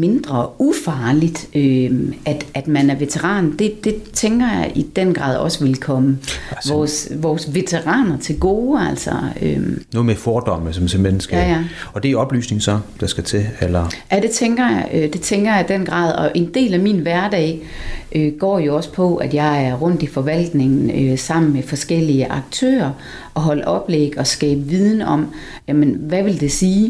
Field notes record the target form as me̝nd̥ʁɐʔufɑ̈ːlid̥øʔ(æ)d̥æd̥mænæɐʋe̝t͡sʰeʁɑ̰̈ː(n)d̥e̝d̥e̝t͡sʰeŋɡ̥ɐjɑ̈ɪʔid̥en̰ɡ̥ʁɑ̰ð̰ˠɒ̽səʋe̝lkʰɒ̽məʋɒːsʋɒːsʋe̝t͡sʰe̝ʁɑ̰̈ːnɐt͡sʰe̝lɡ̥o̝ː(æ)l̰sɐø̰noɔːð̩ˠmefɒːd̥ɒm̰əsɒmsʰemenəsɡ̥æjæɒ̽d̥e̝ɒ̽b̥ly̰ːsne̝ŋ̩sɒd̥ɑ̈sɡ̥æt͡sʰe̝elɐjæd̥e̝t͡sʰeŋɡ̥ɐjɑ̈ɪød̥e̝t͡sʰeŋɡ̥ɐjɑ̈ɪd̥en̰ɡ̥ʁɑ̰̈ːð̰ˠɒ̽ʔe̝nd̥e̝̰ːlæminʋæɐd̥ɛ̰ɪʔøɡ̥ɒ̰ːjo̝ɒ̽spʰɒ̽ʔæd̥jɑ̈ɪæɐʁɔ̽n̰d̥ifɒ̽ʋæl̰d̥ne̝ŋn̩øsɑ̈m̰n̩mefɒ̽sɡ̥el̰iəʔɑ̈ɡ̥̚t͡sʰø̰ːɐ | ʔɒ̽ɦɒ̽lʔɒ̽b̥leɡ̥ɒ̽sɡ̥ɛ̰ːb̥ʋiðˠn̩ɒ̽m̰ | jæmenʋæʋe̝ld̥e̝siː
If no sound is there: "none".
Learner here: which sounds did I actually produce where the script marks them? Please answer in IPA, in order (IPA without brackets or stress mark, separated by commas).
æ, n, æ